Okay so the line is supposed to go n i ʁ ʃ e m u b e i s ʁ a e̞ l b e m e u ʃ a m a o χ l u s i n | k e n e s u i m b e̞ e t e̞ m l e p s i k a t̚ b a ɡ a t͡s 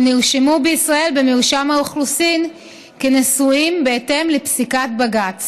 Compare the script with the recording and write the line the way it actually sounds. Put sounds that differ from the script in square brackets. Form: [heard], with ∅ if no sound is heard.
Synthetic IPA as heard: n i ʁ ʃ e m u b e i s ʁ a e̞ l b e m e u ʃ a m a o χ l u s i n | k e n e s u i m b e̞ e t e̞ m l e p s i k a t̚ b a ɡ a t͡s